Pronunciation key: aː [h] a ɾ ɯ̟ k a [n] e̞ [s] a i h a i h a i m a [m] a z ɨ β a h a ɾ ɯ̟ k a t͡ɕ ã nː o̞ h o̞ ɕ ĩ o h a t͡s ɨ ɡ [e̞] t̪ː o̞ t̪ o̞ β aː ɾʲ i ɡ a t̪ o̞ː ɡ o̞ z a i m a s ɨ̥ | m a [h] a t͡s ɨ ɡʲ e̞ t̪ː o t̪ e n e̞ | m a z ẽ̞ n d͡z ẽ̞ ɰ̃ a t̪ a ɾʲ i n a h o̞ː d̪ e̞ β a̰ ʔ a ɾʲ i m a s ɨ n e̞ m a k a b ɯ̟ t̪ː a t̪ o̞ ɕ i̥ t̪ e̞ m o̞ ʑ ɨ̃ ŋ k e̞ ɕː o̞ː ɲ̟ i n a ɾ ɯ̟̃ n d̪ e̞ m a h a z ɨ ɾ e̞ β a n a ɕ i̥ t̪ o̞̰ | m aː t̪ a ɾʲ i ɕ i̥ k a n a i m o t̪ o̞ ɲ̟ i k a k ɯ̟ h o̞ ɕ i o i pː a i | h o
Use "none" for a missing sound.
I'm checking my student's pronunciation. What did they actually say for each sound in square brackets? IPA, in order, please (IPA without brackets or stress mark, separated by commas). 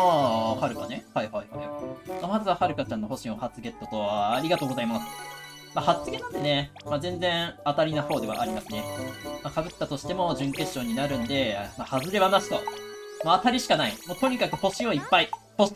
h, n, h, m, e̞, h